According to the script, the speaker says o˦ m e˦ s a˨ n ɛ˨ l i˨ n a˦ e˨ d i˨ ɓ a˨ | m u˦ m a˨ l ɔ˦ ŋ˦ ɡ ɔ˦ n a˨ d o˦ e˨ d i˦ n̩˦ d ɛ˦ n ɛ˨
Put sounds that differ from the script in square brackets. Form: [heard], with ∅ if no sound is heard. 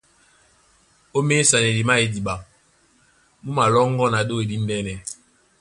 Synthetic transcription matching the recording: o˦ m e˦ s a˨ n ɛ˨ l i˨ [m] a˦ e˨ d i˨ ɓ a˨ | m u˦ m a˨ l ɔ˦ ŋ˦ ɡ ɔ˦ n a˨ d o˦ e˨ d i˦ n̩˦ d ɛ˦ n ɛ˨

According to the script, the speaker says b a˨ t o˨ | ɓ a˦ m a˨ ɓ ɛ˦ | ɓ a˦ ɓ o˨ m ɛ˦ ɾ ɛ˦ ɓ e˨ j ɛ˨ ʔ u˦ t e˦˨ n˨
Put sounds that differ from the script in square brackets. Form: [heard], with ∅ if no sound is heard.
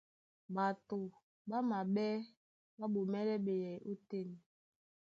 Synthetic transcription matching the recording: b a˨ t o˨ | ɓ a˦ m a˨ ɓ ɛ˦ | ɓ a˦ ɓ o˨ m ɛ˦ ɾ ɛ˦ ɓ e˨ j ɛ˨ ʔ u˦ t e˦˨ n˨

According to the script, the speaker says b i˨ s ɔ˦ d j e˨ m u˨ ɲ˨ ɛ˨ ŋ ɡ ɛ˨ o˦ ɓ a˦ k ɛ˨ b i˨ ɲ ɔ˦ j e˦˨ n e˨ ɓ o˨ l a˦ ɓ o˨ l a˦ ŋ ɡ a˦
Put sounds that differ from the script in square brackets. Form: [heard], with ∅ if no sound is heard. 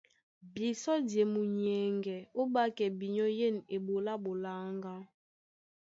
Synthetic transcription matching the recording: b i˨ s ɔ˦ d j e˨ m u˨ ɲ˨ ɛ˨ ŋ ɡ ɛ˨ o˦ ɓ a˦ k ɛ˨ b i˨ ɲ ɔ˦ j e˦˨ n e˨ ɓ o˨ l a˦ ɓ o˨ l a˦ ŋ ɡ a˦

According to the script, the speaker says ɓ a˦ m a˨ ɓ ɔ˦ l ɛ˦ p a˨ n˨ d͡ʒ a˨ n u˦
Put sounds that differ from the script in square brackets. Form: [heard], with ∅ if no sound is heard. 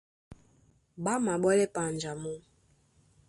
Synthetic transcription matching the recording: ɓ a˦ m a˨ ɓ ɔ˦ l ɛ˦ p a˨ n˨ d͡ʒ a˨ [m] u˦

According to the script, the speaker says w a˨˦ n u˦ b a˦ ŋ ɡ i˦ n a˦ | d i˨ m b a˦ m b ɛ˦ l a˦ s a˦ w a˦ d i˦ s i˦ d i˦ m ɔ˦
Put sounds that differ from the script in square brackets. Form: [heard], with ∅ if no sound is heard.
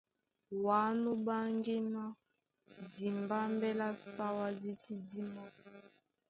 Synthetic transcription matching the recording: w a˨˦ n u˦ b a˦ ŋ ɡ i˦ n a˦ | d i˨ m b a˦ m b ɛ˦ l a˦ s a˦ w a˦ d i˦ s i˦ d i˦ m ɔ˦

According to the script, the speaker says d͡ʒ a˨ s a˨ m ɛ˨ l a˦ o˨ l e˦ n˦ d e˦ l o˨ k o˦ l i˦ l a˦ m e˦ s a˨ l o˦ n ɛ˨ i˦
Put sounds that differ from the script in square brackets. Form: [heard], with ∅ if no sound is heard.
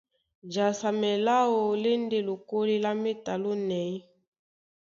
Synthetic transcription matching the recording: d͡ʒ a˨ s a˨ m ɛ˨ l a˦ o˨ l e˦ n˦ d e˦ l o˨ k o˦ l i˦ l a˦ m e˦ [t] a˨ l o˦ n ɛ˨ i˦

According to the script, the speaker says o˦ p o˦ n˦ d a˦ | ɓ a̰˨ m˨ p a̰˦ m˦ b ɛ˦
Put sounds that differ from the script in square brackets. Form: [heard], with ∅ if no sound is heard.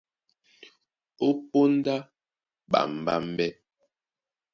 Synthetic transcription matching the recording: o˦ p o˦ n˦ d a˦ | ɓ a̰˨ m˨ [b] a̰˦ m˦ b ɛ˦

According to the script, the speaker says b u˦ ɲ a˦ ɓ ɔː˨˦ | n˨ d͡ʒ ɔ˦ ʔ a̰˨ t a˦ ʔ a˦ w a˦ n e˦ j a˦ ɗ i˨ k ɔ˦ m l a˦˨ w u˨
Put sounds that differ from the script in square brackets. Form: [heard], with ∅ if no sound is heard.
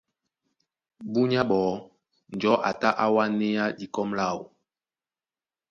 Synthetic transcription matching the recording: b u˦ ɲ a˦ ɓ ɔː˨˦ | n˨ d͡ʒ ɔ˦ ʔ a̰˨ t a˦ ʔ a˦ w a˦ n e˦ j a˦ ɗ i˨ k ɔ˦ m l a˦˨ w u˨

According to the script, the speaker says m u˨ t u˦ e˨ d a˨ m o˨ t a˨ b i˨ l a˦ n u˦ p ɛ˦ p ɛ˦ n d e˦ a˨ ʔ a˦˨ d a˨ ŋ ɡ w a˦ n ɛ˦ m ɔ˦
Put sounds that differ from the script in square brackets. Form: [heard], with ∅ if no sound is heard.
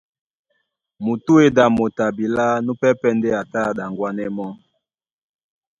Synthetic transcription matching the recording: m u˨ t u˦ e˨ d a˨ m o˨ t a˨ b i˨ l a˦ n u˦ p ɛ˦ p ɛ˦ n d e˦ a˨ [t] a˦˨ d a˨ ŋ ɡ w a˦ n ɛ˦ m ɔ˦

